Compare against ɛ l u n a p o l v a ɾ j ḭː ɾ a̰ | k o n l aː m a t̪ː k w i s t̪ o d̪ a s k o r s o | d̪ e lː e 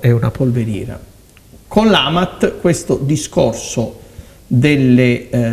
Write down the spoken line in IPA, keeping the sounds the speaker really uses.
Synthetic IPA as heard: ɛ u n a p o l v e ɾ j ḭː ɾ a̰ | k o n l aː m a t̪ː k w e s t̪ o d̪ i s k o r s o | d̪ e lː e

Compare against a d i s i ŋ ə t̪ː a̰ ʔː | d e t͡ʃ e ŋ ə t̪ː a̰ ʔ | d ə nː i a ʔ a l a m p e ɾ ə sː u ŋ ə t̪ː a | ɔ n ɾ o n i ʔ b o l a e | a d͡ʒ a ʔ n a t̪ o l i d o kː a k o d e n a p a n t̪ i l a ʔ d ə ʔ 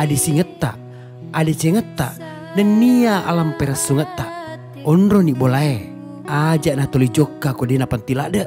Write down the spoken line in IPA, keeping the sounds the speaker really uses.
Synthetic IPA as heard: a d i s i ŋ ə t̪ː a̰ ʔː | d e t͡ʃ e ŋ ə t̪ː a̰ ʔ | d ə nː i a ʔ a l a m p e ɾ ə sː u ŋ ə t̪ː a | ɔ n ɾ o n i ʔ b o l a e | a d͡ʒ a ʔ n a t̪ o l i d͡ʒ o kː a k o d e n a p a n t̪ i l a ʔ d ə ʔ

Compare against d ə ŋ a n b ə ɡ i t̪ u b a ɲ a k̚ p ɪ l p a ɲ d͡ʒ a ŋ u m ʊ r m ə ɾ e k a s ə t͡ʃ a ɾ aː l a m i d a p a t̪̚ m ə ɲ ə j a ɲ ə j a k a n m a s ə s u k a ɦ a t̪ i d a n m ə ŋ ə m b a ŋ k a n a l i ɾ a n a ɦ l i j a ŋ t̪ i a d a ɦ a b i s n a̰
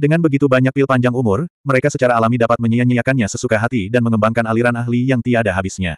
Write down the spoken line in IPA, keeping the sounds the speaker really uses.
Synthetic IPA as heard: d ə ŋ a n b ə ɡ i t̪ u b a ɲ a k̚ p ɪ l p a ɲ d͡ʒ a ŋ u m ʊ r m ə ɾ e k a s ə t͡ʃ a ɾ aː l a m i d a p a t̪̚ m ə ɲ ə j a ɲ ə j a k a n ɲ a s ə s u k a ɦ a t̪ i d a n m ə ŋ ə m b a ŋ k a n a l i ɾ a n a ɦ l i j a ŋ t̪ i a d a ɦ a b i s ɲ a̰

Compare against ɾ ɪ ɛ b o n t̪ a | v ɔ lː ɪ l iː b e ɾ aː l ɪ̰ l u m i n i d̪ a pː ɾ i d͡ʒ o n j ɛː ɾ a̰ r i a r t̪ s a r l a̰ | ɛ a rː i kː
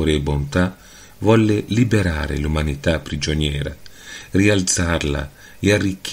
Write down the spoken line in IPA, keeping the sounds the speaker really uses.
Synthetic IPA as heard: ɾ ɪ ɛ b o n t̪ a | v ɔ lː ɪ l i b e ɾ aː ɾ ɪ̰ l u m a n i t̪ a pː ɾ i d͡ʒ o n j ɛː ɾ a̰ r i a l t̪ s a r l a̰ | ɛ a rː i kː

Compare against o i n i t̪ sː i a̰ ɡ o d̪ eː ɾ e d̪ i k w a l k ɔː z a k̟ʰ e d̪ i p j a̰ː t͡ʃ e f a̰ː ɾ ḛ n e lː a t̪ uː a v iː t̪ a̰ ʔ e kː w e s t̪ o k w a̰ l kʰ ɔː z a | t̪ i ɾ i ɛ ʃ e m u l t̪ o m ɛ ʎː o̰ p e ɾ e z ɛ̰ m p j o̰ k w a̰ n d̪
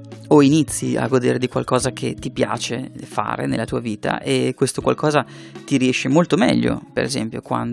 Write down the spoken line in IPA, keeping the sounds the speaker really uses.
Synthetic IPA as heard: o i n i t̪ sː i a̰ ɡ o d̪ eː ɾ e d̪ i k w a l k ɔː z a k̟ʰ e t̪ i p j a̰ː t͡ʃ e f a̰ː ɾ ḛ n e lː a t̪ uː a v iː t̪ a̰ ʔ e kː w e s t̪ o k w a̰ l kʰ ɔː z a | t̪ i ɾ i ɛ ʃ e m o l t̪ o m ɛ ʎː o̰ p e ɾ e z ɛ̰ m p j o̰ k w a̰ n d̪

